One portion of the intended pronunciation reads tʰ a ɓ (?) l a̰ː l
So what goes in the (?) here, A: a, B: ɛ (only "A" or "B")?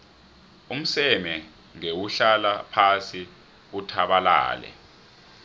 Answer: A